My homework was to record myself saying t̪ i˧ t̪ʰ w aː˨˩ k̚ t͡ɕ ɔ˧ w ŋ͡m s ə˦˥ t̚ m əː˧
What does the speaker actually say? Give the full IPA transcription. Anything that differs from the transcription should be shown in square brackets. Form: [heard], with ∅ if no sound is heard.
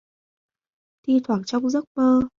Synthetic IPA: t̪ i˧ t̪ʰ w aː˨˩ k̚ t͡ɕ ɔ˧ w ŋ͡m [z] ə˦˥ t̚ m əː˧